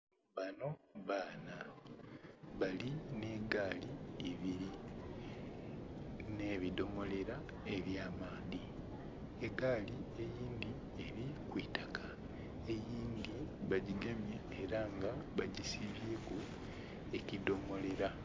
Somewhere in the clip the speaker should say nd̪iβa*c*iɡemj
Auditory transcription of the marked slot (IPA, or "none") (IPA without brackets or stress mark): ɟ